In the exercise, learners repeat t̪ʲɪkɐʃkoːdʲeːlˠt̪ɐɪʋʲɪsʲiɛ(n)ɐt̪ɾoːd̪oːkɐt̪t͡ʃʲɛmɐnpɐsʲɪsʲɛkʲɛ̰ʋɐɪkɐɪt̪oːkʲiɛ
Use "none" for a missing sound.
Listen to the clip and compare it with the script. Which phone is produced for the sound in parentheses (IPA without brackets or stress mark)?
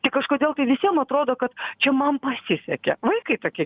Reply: m